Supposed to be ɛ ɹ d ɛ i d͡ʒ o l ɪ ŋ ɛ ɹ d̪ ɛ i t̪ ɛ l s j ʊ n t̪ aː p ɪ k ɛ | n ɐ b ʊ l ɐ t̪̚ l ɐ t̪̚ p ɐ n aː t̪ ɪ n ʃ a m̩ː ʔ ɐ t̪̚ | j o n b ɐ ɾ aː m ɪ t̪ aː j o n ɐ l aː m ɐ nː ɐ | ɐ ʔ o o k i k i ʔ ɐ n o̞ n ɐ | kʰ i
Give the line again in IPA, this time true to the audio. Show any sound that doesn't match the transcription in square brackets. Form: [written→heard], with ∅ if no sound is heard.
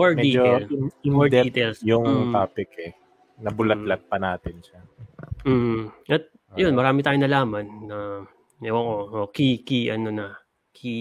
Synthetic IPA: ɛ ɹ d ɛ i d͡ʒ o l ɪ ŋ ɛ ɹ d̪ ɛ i t̪ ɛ l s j ʊ [n→ŋ] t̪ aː p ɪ k ɛ | n ɐ b ʊ l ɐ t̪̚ l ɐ t̪̚ p ɐ n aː t̪ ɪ n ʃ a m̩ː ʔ ɐ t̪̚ | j o n [b→m] ɐ ɾ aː m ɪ t̪ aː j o n ɐ l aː m ɐ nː ɐ | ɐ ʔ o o k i k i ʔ ɐ n o̞ n ɐ | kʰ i